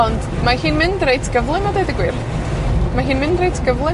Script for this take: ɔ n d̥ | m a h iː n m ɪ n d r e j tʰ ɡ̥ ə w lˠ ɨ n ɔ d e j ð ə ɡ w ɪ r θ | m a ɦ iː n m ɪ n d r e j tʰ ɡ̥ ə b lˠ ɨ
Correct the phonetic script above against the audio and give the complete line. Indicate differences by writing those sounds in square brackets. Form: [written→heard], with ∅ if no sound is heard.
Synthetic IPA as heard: ɔ n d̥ | m a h iː n m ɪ n d r e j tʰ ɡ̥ ə [w→v] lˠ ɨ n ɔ d e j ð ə ɡ w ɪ r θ | m a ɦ iː n m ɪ n d r e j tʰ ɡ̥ ə [b→v] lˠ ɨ